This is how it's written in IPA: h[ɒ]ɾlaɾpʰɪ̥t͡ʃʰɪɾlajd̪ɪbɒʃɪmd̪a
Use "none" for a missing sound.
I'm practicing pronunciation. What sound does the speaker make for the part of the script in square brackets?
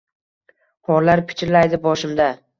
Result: ɒ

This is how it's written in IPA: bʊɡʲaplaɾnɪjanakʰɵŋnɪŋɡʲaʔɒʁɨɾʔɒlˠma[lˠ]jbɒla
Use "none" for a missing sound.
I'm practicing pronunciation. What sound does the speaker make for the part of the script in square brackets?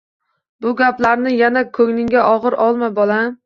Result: none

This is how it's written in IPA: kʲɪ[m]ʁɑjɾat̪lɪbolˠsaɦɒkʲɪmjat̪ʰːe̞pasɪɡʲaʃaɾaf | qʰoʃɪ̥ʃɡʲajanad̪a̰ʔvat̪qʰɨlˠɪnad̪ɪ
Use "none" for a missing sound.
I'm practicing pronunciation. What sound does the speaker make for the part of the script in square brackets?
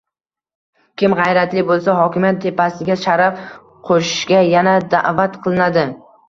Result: m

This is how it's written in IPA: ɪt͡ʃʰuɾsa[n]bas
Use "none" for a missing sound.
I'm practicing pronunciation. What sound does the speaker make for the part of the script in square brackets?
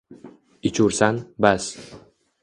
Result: n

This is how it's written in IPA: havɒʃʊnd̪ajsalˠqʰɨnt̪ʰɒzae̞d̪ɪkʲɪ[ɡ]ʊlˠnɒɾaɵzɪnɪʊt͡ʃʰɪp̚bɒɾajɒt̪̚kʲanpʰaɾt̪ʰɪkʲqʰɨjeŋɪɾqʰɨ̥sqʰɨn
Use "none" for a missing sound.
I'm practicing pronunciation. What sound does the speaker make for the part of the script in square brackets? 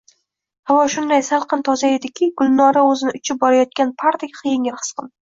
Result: ɡ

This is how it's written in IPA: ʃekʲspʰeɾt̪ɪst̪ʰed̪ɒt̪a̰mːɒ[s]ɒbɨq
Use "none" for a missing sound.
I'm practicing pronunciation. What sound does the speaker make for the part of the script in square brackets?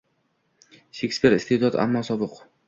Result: s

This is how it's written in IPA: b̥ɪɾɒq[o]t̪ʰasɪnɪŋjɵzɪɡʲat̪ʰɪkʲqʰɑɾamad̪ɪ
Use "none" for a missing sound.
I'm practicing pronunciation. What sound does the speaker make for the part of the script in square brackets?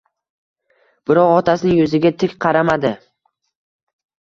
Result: ɒ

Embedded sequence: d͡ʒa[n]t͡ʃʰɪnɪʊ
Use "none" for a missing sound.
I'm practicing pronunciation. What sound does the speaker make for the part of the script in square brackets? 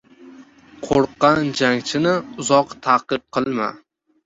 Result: ŋ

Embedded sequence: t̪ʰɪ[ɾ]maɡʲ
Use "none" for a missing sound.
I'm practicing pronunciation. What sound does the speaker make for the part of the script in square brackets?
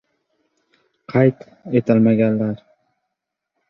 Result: l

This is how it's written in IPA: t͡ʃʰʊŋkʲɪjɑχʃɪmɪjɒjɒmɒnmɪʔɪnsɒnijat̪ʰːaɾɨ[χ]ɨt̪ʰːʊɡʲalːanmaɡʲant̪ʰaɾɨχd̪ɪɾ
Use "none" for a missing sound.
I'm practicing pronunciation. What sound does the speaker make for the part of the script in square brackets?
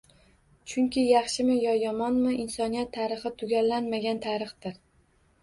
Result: χ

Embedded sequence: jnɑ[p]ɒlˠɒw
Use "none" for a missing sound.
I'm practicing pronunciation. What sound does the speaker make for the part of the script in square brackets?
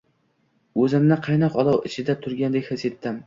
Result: q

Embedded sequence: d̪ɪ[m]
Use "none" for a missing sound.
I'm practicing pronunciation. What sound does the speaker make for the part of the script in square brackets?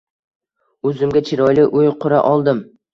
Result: m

